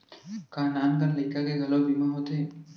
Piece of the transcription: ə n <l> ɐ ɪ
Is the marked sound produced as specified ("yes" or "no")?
yes